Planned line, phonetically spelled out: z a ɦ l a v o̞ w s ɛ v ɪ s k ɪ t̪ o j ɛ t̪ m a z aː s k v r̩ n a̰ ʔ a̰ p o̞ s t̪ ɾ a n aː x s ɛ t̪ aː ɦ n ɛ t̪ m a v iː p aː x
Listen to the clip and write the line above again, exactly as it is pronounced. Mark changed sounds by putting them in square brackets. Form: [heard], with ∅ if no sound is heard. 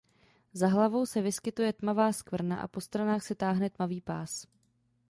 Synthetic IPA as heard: z a ɦ l a v o̞ w s ɛ v ɪ s k ɪ t̪ [u] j ɛ t̪ m a [v] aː s k v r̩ n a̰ ʔ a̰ p o̞ s t̪ ɾ a n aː x s ɛ t̪ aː ɦ n ɛ t̪ m a v iː p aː [s]